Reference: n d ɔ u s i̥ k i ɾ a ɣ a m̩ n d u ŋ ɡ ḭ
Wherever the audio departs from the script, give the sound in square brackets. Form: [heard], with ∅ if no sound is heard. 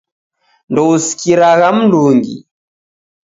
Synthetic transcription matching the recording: n d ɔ u s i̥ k i ɾ a ɣ a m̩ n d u ŋ ɡ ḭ